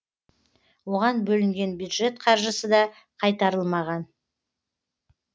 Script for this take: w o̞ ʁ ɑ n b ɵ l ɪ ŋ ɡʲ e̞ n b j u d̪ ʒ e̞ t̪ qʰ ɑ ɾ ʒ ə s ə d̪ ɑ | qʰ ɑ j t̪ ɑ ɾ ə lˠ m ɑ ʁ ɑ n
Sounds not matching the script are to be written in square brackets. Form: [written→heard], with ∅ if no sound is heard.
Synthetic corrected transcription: w o̞ ʁ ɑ n b ɵ l ɪ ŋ ɡʲ e̞ n b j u d̪ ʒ e̞ t̪ qʰ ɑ ɾ ʒ ə s ə d̪ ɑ | qʰ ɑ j t̪ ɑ ɾ ə lˠ m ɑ ʁ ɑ n